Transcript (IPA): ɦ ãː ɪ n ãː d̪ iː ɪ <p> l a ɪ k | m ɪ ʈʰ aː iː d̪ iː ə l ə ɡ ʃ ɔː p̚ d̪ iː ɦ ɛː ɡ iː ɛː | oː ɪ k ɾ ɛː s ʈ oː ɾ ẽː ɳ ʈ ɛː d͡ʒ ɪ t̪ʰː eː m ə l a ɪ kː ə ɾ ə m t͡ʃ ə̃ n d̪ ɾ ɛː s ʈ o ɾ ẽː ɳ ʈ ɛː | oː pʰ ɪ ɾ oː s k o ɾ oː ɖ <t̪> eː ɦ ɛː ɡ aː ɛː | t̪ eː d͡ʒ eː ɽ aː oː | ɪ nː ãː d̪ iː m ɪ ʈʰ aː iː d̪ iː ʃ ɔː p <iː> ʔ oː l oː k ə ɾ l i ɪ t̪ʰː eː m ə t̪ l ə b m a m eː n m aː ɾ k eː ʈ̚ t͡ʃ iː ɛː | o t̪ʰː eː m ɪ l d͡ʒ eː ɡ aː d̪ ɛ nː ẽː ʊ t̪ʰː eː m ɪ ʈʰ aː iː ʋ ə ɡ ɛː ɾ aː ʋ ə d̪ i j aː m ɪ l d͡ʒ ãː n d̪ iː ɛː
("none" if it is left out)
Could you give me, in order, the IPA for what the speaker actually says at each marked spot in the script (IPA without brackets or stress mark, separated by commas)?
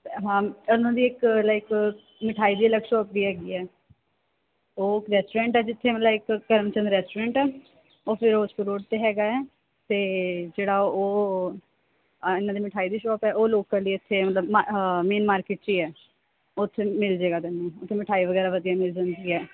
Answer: k, t̪, ɛː